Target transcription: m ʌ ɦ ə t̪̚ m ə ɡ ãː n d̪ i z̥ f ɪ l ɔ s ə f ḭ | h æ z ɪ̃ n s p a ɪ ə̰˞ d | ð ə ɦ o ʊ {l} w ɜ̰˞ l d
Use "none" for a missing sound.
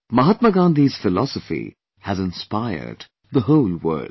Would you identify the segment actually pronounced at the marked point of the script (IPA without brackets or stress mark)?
l